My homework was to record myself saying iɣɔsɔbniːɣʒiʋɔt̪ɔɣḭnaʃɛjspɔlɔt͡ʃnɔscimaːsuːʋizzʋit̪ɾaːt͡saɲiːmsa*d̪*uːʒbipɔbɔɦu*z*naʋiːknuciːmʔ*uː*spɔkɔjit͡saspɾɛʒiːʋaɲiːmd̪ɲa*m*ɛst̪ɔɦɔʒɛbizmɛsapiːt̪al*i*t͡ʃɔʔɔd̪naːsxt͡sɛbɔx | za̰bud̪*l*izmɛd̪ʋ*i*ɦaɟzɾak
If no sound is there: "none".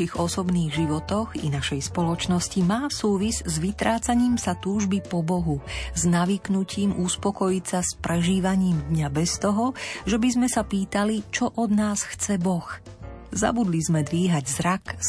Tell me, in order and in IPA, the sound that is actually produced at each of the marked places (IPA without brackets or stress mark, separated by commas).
t̪, z, u, b, i, l, iː